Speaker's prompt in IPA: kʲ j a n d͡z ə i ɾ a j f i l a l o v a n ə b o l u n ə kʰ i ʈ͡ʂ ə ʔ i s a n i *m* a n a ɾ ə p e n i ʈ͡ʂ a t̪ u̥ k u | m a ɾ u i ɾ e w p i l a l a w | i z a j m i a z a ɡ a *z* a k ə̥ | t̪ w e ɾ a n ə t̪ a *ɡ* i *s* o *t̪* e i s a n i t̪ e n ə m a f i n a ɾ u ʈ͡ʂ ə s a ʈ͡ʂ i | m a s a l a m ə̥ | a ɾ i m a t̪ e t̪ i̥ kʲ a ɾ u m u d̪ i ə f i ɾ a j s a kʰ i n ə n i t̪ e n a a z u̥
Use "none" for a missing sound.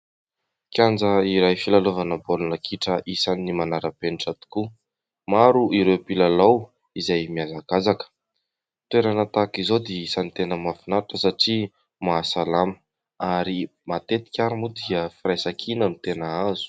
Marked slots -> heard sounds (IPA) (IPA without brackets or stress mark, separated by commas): m, z, k, z, d̪